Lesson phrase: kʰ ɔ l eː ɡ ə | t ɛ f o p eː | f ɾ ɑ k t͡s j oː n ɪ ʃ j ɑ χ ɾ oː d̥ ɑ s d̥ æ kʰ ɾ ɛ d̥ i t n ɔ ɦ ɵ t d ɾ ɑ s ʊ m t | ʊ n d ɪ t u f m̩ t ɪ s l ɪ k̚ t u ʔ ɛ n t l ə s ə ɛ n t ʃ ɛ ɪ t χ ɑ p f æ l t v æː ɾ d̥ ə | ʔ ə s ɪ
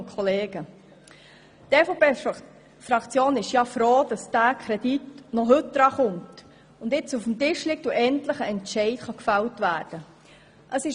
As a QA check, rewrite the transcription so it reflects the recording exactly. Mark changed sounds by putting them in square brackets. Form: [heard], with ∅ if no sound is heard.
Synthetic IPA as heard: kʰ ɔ l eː ɡ ə | t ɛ f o p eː | f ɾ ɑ k t͡s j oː n ɪ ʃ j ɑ [f] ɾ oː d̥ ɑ s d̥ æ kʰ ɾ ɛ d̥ i t n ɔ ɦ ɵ t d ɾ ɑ [χ] ʊ m t | ʊ n d ɪ [t͡s] u f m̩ t ɪ [ʃ] l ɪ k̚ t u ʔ ɛ n t l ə [χ] ə ɛ n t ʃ ɛ ɪ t χ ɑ [k] f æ l t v æː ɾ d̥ ə | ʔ ə s ɪ